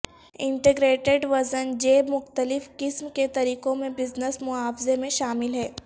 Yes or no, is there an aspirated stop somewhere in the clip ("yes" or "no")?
no